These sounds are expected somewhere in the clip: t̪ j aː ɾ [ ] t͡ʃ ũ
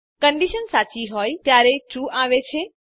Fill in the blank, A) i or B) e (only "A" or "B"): B